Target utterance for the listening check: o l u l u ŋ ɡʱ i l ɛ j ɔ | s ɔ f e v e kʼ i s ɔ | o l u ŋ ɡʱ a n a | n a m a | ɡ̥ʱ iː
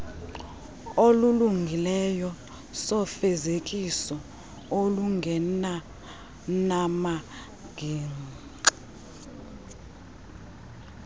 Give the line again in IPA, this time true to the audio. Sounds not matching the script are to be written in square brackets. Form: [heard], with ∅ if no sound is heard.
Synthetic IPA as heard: o l u l u ŋ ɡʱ i l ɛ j ɔ | s ɔ f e [z] e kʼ i s ɔ | o l u ŋ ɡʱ [ɛ] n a | n a m a | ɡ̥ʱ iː